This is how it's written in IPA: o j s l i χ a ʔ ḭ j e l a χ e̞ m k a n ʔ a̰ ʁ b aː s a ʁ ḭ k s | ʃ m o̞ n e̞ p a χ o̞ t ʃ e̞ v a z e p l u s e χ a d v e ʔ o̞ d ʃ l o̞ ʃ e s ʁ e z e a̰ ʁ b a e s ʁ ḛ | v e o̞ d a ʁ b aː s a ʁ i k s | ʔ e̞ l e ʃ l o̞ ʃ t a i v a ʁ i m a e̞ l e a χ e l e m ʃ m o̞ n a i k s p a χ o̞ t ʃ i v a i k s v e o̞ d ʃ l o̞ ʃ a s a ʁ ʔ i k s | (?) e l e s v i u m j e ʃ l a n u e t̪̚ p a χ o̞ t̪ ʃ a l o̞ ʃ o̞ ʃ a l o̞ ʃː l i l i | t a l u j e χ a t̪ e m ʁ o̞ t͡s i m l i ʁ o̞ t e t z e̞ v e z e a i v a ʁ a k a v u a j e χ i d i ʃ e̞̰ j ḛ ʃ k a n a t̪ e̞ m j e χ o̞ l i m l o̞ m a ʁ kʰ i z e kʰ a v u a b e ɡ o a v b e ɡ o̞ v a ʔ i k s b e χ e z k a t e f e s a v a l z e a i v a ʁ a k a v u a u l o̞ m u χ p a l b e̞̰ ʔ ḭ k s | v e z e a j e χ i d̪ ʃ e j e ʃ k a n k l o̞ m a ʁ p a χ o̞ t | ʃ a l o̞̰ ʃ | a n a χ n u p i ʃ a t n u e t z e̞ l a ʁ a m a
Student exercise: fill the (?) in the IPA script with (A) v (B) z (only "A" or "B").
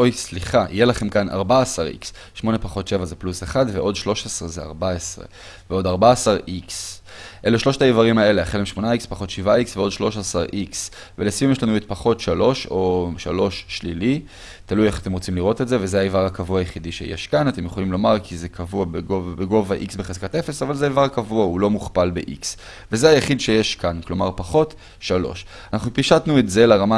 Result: A